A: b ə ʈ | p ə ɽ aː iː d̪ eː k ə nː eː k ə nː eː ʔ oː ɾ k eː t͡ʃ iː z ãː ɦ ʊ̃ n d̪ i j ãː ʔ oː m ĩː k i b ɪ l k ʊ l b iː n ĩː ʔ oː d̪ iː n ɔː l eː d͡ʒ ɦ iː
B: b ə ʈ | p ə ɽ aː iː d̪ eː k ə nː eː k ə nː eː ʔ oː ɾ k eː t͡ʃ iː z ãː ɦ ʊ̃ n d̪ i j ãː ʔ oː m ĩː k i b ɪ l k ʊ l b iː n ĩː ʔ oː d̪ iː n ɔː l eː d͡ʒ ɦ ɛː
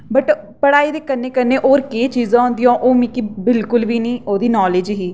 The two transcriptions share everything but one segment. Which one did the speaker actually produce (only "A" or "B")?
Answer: A